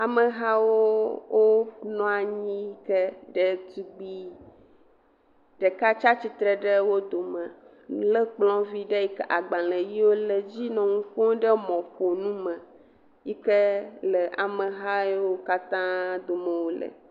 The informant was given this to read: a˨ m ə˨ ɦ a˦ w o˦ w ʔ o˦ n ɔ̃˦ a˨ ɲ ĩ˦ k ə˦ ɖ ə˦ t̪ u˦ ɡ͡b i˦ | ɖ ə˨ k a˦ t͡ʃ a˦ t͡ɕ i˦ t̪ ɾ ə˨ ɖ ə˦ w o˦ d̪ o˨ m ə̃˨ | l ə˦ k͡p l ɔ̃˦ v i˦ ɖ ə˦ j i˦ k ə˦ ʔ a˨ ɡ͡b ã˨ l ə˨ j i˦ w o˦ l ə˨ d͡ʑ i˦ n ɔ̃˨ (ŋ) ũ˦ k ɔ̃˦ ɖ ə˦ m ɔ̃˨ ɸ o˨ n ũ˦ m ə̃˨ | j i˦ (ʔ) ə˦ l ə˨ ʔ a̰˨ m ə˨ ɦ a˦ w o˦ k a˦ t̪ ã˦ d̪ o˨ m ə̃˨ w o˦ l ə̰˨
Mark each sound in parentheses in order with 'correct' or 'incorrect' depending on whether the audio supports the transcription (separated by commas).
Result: correct, incorrect